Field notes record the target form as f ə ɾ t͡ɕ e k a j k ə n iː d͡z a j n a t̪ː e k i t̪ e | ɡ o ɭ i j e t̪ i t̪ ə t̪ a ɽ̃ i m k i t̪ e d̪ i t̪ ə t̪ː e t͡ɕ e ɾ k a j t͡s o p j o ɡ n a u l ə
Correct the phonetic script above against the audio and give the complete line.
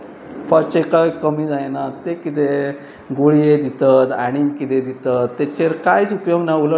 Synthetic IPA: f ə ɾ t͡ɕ e k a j k ə m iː d͡z a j n a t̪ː e k i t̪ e | ɡ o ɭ i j e d̪ i t̪ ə t̪ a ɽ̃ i m k i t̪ e d̪ i t̪ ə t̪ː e t͡ɕ e ɾ k a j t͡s u p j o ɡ n a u l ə

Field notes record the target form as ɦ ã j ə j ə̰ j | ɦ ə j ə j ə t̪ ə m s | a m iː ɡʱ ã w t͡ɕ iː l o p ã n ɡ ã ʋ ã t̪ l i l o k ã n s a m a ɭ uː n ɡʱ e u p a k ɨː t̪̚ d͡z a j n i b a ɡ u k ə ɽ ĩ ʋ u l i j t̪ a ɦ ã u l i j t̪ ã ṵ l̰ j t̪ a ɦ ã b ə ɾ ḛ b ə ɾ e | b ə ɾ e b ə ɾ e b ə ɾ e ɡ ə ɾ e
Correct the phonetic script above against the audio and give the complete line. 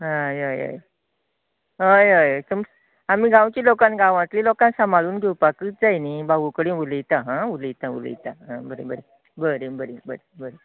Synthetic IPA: ɦ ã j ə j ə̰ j | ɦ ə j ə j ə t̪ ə m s | a m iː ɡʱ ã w t͡ɕ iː l o k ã n ɡ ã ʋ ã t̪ l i l o k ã n s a m a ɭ uː n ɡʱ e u p a k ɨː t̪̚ d͡z a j n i b a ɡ u k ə ɽ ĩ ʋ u l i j t̪ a ɦ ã u l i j t̪ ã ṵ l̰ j t̪ a ɦ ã b ə ɾ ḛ b ə ɾ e | b ə ɾ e b ə ɾ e b ə ɾ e b ə ɾ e

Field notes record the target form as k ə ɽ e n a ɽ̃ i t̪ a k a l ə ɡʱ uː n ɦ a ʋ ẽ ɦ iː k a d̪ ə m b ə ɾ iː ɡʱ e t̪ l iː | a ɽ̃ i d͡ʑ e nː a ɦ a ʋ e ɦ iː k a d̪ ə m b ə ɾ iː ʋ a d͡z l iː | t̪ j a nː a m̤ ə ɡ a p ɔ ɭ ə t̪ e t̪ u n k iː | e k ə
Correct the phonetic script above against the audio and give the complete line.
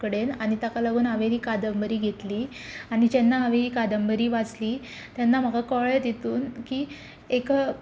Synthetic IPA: k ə ɽ e n a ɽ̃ i t̪ a k a l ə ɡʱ uː n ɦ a ʋ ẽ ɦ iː k a d̪ ə m b ə ɾ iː ɡʱ e t̪ l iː | a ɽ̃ i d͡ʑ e nː a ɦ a ʋ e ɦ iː k a d̪ ə m b ə ɾ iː ʋ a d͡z l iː | t̪ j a nː a m̤ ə ɡ a k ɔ ɭ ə t̪ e t̪ uː n k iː | e k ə

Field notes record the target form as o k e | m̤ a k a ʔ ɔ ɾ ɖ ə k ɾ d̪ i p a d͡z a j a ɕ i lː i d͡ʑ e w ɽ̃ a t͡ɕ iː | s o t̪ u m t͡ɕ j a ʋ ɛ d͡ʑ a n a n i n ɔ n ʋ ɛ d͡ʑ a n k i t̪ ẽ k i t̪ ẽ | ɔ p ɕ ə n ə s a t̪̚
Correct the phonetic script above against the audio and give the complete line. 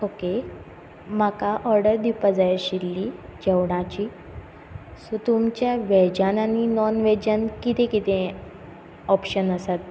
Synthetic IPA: o k e | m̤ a k a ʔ ɔ ɾ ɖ ə ɾ d̪ i p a d͡z a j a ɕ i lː i d͡ʑ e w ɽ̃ a t͡ɕ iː | s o t̪ u m t͡ɕ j a ʋ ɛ d͡ʑ a n a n i n ɔ n ʋ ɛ d͡ʑ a n k i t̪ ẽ k i t̪ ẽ | ɔ p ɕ ə n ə s a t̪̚

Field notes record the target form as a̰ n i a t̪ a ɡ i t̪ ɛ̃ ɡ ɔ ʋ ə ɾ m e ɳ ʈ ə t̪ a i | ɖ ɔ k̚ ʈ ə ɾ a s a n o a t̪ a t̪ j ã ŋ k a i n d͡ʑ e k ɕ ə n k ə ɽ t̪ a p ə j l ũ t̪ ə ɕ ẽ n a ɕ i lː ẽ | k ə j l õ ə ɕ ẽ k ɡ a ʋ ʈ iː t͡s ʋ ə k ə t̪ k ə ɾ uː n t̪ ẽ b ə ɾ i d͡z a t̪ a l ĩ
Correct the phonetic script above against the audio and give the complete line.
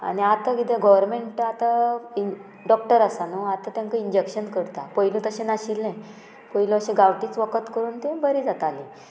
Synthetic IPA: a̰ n i a t̪ a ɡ i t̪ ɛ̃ ɡ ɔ ʋ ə ɾ m e ɳ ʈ a t̪ a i | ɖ ɔ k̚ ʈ ə ɾ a s a n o a t̪ a t̪ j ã ŋ k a i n d͡ʑ e k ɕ ə n k ə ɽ t̪ a p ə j l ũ t̪ ə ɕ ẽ n a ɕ i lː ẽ | p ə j l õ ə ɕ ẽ ɡ a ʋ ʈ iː t͡s ʋ ə k ə t̪ k ə ɾ uː n t̪ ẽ b ə ɾ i d͡z a t̪ a l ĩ

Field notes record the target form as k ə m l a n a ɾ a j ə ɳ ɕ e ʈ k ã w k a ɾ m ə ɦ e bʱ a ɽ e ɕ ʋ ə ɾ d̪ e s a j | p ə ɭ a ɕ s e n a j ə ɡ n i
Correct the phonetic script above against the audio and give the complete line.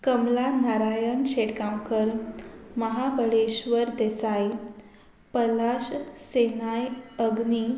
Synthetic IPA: k ə m l a n a ɾ a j ə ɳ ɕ e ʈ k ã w k ə ɾ m ə ɦ a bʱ ə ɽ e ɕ ʋ ə ɾ d̪ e s a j | p ə l a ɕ s e n a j ə ɡ n i

